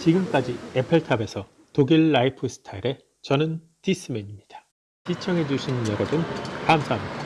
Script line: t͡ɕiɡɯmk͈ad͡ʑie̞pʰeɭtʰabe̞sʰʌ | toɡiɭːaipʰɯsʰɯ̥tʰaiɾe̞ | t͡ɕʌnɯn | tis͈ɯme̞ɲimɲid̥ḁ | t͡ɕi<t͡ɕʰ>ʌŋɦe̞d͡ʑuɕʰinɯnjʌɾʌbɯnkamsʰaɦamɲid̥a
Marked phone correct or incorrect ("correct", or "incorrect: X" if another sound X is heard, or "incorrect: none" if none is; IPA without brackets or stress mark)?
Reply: correct